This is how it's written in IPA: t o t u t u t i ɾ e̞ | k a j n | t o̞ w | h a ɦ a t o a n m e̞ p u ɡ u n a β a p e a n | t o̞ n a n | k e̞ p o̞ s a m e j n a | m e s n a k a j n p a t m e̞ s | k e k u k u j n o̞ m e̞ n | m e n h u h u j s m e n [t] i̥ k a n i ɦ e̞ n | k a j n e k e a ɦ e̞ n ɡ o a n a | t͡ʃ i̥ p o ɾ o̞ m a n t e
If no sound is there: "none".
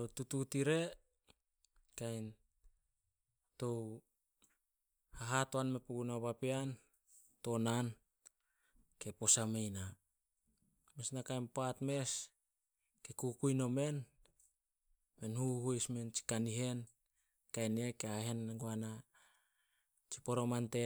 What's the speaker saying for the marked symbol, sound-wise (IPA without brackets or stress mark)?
t͡ʃ